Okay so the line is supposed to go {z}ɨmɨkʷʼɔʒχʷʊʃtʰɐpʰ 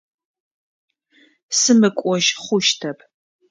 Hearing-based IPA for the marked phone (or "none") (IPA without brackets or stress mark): s